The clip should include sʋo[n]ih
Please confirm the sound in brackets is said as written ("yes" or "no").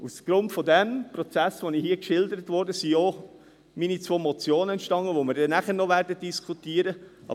yes